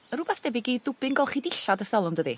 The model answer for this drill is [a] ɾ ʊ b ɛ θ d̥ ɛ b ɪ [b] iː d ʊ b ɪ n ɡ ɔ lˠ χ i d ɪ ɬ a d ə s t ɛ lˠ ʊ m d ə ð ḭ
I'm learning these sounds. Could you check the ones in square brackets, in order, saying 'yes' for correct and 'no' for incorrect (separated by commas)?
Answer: no, no